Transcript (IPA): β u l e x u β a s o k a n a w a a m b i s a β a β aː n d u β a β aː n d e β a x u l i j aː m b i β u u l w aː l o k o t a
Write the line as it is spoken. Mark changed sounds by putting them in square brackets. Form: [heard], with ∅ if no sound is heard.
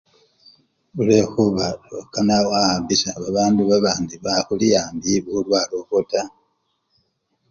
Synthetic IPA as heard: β u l e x u β a [∅] o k a n a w a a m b i s a β a β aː n d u β a β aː n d [i] β a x u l i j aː m b i β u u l w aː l o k o t a